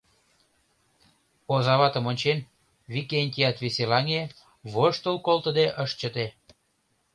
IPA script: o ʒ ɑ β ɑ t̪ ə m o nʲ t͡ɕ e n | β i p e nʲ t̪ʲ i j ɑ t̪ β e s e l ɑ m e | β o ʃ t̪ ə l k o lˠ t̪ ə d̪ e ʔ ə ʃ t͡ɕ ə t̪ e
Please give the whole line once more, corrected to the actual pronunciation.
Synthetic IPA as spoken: o z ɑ β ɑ t̪ ə m o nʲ t͡ɕ e n | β i k e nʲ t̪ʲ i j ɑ t̪ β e s e l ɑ ŋ e | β o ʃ t̪ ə l k o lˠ t̪ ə d̪ e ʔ ə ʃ t͡ɕ ə t̪ e